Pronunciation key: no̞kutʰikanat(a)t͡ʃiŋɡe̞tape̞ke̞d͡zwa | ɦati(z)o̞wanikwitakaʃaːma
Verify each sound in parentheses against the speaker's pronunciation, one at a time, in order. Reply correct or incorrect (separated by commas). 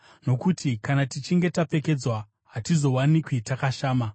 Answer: incorrect, correct